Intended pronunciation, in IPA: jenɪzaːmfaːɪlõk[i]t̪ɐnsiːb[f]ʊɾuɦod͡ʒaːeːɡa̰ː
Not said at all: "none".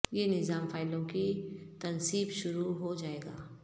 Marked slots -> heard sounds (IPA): i, ʃ

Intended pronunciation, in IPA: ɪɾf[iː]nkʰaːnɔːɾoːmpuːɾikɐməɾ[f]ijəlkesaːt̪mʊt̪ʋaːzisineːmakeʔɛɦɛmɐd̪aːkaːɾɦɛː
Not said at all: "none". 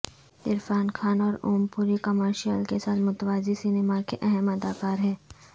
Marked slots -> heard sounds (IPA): aː, ʃ

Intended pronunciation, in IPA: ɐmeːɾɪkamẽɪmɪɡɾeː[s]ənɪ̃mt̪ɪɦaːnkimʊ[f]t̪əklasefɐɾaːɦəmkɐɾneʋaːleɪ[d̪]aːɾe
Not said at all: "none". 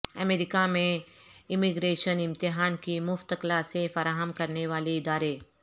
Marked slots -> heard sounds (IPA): ʃ, f, d̪

